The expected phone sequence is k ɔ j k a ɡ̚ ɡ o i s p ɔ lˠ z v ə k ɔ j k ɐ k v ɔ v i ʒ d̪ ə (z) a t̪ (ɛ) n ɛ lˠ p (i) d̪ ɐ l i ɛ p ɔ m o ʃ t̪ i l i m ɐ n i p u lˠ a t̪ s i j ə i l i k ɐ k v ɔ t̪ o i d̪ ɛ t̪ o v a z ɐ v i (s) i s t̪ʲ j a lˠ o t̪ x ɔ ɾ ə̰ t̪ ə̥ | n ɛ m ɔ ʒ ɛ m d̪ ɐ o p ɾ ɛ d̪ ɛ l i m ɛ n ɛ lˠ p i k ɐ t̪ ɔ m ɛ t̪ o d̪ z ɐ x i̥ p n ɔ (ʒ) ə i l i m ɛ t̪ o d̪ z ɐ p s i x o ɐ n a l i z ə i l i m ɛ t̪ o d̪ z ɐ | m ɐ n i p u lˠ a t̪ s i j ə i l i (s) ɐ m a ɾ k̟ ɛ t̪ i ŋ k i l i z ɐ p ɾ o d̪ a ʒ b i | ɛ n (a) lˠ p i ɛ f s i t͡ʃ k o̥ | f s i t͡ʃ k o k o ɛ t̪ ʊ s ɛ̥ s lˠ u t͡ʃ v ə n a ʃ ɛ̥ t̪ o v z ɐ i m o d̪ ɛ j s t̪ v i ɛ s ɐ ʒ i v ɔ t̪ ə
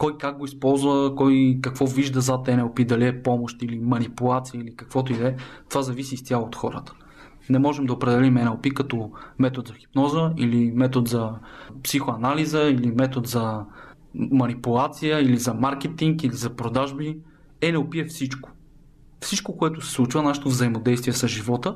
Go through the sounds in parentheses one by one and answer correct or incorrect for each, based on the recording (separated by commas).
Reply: correct, correct, correct, correct, incorrect, incorrect, incorrect